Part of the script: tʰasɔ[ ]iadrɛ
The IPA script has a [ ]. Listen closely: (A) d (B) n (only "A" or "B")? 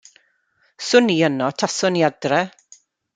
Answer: B